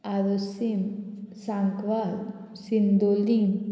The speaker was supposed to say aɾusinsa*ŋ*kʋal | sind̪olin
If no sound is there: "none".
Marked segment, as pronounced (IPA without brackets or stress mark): ŋ